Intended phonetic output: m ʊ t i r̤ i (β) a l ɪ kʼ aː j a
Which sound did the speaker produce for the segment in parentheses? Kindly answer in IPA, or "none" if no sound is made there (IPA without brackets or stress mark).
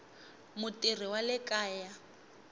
w